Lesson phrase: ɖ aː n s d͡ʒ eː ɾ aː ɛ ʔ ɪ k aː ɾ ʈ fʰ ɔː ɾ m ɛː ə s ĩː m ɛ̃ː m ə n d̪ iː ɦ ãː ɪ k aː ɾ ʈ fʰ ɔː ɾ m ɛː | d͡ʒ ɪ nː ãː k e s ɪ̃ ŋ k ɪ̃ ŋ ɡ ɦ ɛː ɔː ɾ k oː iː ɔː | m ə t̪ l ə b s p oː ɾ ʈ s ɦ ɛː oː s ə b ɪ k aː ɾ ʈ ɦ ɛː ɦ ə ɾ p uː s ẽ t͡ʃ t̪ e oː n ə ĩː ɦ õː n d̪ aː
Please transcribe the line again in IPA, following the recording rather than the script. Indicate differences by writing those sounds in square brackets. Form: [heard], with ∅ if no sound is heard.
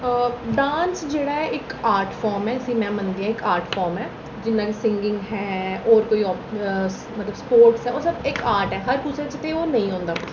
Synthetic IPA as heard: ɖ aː n s d͡ʒ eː [ɽ] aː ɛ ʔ ɪ k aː ɾ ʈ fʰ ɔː ɾ m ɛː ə s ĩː m ɛ̃ː m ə n d̪ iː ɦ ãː ɪ k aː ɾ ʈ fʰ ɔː ɾ m ɛː | d͡ʒ ɪ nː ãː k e s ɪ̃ ŋ [ɡ] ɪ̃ ŋ ɡ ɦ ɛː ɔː ɾ k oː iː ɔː | m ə t̪ l ə b s p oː ɾ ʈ s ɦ ɛː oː s ə b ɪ k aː ɾ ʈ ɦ ɛː ɦ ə ɾ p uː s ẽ t͡ʃ t̪ e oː n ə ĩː ɦ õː n d̪ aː